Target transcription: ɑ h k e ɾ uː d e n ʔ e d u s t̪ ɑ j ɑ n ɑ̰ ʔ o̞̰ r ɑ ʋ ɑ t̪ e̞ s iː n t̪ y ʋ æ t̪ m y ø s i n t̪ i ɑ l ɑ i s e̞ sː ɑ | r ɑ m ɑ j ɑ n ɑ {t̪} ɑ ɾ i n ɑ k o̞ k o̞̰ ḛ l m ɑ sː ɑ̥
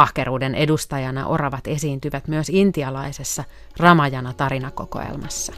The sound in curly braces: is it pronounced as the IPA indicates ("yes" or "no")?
yes